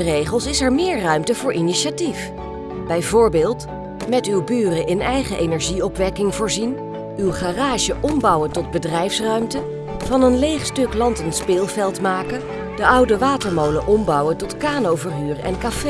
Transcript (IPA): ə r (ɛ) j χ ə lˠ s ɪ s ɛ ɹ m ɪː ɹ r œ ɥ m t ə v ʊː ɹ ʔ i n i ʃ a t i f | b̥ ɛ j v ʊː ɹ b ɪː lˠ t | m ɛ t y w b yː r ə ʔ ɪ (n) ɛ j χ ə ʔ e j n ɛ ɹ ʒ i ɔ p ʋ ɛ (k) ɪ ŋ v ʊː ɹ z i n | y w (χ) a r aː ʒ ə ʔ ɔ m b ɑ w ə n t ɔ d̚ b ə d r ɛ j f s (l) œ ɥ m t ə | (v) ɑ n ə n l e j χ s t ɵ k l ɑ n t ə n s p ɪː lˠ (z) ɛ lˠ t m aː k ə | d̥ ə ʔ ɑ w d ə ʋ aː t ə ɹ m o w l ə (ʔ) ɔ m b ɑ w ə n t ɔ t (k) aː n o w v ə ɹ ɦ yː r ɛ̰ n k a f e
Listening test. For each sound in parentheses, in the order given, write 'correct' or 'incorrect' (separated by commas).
incorrect, correct, correct, correct, incorrect, correct, incorrect, correct, correct